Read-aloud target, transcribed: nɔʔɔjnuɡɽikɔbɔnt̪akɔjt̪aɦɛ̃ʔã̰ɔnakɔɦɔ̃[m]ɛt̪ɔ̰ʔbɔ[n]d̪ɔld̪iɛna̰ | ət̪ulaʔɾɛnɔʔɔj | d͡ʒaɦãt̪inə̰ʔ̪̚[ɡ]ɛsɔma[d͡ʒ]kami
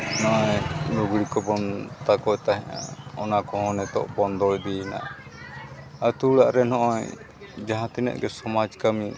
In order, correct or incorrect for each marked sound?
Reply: incorrect: n, correct, correct, correct

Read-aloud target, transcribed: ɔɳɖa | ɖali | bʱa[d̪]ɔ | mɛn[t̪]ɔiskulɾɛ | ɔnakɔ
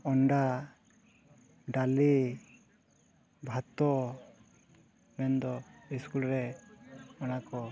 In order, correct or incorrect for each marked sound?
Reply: incorrect: t̪, incorrect: d̪

